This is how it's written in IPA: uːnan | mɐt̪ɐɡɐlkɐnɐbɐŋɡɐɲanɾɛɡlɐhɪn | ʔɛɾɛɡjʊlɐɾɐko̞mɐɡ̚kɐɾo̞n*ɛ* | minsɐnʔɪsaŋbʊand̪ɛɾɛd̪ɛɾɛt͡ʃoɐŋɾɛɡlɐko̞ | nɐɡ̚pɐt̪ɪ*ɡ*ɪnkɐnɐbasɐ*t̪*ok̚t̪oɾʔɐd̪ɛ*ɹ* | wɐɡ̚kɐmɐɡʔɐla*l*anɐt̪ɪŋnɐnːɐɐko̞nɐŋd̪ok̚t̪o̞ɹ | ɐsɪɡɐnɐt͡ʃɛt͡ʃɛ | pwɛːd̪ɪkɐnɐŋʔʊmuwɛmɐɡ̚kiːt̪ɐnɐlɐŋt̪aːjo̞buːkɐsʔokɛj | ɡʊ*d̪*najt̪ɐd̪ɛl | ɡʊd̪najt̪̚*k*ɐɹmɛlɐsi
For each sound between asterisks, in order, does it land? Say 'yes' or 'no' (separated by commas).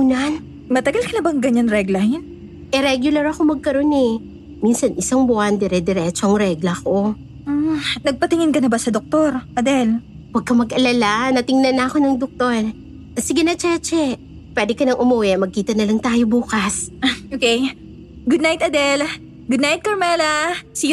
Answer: yes, no, no, no, yes, yes, yes